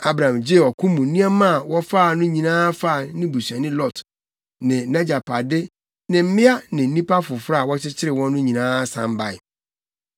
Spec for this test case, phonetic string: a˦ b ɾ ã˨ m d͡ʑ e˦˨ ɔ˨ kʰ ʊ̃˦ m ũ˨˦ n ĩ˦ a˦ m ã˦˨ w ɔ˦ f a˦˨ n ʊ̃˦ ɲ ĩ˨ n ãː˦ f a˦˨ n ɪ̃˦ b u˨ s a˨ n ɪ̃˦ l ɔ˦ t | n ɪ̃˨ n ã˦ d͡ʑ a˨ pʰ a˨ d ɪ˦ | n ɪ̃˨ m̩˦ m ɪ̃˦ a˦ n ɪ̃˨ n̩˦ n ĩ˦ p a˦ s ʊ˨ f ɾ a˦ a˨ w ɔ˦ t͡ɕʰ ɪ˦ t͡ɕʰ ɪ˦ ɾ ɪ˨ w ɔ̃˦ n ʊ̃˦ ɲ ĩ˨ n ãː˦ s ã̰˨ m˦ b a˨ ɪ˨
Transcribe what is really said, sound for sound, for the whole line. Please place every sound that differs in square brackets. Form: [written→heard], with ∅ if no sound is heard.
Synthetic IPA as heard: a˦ b ɾ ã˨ m d͡ʑ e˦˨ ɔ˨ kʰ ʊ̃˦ m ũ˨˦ n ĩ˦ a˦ m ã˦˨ w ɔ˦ f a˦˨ n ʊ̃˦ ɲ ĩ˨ n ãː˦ f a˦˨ n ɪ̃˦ b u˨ s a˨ n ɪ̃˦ l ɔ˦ t | n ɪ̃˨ n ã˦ d͡ʑ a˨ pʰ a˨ d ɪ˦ | n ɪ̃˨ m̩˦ m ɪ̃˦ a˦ n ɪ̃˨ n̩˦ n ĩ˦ p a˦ [s→f] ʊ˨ f ɾ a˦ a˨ w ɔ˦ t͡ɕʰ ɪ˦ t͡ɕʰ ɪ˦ ɾ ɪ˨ w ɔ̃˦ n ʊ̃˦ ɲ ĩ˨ n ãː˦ s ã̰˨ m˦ b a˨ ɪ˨

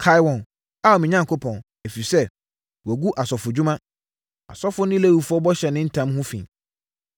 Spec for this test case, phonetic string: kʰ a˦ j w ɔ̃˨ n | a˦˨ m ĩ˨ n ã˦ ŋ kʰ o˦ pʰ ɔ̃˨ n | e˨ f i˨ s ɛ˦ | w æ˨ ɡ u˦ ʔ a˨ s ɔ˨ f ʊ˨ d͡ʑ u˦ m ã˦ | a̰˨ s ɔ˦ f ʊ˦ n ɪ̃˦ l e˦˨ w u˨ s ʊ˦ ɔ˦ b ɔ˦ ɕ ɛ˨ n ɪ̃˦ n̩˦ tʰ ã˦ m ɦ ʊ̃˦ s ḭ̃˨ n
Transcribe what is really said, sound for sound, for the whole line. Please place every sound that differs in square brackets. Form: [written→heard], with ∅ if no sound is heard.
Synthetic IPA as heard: kʰ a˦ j w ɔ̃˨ n | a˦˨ m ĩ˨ [n→ɲ] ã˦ ŋ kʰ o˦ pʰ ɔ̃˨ n | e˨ f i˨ s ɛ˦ | w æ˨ ɡ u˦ ʔ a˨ s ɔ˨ f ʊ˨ d͡ʑ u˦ m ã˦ | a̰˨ s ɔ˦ f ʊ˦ n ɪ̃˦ l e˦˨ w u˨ [s→f] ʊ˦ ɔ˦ b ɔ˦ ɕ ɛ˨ n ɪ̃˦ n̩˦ tʰ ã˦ m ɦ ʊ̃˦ [s→f] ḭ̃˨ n

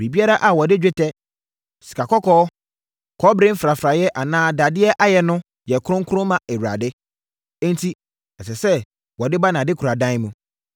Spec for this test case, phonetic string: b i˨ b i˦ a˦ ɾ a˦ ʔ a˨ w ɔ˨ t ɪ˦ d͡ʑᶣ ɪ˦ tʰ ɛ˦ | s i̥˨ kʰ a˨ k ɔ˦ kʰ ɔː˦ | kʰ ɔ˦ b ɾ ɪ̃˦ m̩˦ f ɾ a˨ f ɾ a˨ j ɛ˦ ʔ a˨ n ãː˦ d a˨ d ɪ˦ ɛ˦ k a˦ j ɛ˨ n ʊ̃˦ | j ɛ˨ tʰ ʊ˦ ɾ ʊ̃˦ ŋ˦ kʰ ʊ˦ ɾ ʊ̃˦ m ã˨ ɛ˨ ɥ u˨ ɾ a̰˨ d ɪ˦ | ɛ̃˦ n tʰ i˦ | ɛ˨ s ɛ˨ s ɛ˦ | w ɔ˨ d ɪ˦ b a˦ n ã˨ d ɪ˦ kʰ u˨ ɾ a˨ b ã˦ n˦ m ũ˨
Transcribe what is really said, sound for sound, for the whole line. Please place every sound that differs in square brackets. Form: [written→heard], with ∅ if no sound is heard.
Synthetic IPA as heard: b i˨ b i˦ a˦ ɾ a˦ ʔ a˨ w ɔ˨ [t→d] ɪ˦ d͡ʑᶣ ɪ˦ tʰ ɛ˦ | s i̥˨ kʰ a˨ k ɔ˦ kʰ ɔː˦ | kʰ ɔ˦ b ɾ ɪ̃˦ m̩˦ f ɾ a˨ f ɾ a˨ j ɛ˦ ʔ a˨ n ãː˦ d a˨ d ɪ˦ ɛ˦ [k→ʔ] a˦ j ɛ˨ n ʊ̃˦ | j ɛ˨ [tʰ→kʰ] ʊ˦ ɾ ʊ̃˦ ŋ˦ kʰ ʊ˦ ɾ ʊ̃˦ m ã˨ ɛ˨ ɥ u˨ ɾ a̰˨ d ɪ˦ | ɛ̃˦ n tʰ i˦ | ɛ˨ s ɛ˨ s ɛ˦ | w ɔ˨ d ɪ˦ b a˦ n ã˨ d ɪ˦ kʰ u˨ ɾ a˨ [b→d] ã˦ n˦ m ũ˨

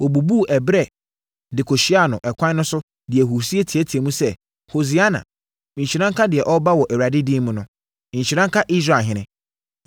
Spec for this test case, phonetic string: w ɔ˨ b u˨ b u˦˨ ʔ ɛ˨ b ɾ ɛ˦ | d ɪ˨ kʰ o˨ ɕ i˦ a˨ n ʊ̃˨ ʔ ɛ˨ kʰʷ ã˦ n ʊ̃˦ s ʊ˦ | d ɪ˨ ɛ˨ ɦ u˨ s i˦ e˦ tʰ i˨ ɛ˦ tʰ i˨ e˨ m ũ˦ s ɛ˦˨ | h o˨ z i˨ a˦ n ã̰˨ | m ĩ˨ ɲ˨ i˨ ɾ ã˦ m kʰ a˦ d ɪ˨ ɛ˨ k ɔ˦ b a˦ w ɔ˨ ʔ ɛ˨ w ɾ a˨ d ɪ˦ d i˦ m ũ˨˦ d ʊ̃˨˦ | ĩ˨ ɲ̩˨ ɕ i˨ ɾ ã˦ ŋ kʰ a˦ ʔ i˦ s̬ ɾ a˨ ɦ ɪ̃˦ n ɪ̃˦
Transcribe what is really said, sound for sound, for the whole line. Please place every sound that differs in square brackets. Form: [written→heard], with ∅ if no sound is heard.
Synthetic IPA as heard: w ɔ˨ b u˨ b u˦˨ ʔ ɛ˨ b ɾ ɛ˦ | d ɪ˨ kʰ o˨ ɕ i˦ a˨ n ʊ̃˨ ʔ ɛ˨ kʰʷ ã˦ n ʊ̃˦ s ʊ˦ | d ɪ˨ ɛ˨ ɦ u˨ s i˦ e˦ tʰ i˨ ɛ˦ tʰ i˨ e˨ m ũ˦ s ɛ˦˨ | h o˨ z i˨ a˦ n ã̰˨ | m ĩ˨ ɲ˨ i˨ ɾ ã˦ [m→ŋ] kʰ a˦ d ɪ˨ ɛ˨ [k→ʔ] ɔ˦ b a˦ w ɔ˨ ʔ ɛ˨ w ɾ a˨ d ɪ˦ d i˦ m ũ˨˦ [d→n] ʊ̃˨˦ | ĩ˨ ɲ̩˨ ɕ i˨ ɾ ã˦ ŋ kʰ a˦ ʔ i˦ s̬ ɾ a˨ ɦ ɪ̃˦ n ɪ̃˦

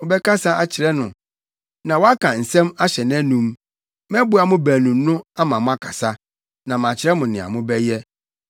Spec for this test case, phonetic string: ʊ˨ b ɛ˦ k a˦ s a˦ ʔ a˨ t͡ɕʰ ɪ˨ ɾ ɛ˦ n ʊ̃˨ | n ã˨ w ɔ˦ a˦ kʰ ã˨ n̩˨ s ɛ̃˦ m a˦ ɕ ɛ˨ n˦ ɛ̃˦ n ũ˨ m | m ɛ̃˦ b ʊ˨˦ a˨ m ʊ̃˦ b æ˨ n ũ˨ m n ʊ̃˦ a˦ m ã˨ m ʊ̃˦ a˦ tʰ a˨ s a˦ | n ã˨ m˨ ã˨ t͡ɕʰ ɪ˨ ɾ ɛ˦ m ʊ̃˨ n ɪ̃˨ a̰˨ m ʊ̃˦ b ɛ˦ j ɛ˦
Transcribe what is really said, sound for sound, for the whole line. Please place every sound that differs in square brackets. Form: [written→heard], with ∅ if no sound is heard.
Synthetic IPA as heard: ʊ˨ b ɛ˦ k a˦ s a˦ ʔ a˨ t͡ɕʰ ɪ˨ ɾ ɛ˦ n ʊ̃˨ | n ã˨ w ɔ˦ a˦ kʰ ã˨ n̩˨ s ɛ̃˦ m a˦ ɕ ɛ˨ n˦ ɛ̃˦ n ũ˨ m | m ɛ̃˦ b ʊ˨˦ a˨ m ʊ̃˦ b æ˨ n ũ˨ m n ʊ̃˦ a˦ m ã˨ m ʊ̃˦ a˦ [tʰ→kʰ] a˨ s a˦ | n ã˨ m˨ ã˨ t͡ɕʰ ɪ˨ ɾ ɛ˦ m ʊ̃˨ n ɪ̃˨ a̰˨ m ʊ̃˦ b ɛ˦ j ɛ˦

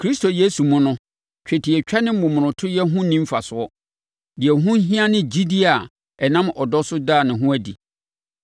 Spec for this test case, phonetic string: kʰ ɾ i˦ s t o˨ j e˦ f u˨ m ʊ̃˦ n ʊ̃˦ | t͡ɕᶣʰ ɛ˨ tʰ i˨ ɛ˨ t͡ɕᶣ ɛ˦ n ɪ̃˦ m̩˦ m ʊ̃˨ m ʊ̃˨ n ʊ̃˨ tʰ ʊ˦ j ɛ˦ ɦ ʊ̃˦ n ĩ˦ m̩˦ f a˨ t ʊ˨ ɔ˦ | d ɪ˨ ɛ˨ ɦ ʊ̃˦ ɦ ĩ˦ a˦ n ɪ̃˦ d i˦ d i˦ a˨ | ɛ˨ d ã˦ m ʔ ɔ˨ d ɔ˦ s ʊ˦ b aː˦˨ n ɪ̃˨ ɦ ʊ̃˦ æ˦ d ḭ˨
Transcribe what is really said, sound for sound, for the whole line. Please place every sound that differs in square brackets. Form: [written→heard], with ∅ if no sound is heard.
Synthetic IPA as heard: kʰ ɾ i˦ s t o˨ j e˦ [f→s] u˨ m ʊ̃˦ n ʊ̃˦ | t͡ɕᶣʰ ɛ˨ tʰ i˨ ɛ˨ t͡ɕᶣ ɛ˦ n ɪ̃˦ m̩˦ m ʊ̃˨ m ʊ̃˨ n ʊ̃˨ tʰ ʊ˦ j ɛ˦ ɦ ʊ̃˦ n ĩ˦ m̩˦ f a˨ [t→s] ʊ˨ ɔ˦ | d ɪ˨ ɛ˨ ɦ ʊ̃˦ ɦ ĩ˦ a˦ n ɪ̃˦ [d→d͡ʑ] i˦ d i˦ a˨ | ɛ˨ [d→n] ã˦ m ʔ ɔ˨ d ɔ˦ s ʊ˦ [b→d] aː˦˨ n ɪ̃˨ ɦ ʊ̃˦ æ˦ d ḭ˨

